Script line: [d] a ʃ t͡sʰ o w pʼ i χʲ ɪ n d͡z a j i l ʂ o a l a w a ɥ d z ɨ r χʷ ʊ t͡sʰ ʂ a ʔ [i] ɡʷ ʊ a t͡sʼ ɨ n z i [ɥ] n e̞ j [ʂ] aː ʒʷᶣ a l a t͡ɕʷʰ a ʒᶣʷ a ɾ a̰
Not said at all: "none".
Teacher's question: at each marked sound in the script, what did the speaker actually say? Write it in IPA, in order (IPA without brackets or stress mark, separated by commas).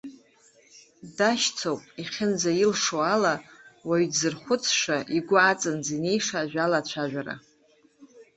d, i, none, ʂ